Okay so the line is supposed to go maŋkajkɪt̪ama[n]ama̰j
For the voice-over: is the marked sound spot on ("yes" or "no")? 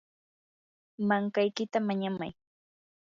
no